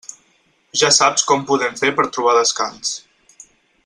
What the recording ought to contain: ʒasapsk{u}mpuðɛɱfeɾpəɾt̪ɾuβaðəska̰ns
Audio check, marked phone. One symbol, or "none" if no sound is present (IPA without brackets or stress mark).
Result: ɔ